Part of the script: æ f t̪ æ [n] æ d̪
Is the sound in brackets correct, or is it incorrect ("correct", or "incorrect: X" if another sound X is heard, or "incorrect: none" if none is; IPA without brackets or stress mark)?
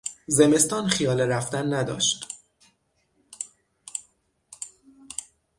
incorrect: nː